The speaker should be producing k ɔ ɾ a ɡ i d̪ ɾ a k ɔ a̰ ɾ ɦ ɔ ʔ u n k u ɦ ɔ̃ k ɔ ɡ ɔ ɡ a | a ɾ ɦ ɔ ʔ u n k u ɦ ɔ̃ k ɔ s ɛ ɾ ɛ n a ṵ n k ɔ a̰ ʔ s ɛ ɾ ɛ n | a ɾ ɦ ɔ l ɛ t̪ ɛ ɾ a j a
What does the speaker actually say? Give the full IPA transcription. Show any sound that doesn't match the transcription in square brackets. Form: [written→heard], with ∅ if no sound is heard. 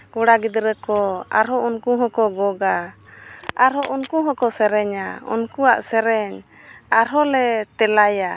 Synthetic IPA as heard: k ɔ [ɾ→ɽ] a ɡ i d̪ ɾ [a→ə] k ɔ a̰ ɾ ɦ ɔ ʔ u n k u ɦ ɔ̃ k ɔ ɡ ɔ ɡ a | a ɾ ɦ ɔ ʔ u n k u ɦ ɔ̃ k ɔ s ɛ ɾ ɛ [n→ɲ] a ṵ n k [ɔ→u] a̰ ʔ s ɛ ɾ ɛ [n→ɲ] | a ɾ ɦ ɔ l ɛ t̪ ɛ [ɾ→l] a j a